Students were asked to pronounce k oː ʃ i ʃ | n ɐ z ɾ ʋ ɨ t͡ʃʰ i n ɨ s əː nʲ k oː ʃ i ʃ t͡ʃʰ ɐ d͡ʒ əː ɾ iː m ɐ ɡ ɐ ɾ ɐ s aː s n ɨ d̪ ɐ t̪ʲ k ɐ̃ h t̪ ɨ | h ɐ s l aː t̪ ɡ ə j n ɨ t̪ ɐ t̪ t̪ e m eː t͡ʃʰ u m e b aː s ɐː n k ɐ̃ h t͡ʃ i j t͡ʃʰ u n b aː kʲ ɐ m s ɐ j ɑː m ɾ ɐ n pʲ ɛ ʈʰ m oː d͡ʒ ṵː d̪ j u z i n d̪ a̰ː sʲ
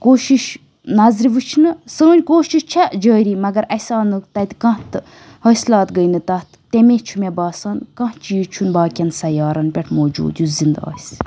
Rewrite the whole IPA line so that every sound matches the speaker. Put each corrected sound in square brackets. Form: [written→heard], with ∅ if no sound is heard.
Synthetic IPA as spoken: k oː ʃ i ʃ | n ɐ z ɾ ʋ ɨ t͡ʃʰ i n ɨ s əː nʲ k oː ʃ i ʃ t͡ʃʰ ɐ d͡ʒ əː ɾ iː m ɐ ɡ ɐ ɾ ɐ s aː [s→∅] n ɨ [d̪→t̪] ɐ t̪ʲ k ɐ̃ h t̪ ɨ | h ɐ s l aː t̪ ɡ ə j n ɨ t̪ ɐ t̪ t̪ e m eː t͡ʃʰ u m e b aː s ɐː n k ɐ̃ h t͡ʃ i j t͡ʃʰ u n b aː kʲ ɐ [m→n] s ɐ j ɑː [m→∅] ɾ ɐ n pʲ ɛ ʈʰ m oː d͡ʒ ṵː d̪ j u z i n d̪ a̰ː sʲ